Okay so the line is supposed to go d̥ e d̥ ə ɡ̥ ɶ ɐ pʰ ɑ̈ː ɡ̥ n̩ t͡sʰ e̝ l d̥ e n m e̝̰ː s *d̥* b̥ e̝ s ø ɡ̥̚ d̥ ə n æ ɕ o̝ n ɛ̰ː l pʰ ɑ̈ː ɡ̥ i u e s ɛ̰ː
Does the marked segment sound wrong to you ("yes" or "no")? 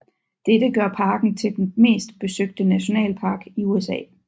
no